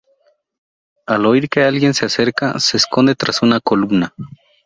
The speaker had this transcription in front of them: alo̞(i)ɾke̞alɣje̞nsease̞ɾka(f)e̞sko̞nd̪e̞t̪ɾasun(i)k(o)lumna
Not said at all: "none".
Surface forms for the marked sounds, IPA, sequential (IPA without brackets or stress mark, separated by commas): i, s, a, o